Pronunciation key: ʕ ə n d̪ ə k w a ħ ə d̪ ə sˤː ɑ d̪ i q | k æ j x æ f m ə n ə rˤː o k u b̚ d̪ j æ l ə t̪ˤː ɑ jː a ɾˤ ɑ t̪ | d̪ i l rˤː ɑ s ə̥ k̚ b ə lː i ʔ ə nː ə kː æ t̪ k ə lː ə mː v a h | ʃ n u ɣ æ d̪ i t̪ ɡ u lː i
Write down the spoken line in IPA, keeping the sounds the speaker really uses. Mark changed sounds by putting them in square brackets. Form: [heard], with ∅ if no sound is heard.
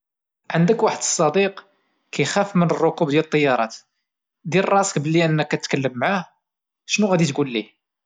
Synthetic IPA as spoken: ʕ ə n d̪ ə k w a ħ ə d̪ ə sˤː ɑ d̪ i q | k æ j x æ f m ə n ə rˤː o k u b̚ d̪ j æ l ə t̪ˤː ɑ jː [ɑ] ɾˤ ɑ t̪ | d̪ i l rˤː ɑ s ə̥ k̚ b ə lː i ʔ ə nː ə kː æ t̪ k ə lː ə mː [ʕ] a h | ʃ n u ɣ æ d̪ i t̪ ɡ u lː i